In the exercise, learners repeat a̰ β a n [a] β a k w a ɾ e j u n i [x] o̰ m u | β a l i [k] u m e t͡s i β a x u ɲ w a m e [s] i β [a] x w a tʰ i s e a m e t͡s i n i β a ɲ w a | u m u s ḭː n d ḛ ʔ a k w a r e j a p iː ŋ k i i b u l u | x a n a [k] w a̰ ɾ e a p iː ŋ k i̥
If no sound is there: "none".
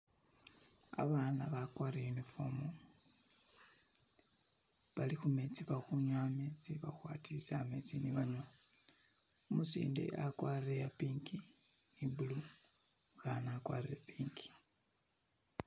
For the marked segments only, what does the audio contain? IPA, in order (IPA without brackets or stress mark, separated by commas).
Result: a, f, x, t͡s, a, k